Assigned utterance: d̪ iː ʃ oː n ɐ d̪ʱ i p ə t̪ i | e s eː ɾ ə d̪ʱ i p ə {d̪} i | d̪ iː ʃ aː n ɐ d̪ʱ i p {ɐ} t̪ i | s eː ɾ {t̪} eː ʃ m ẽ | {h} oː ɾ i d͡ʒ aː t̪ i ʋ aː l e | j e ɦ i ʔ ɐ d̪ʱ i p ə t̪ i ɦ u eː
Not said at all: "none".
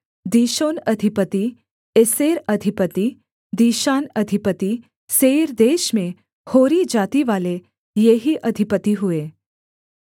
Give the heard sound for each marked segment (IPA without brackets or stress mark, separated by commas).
t̪, ə, d̪, h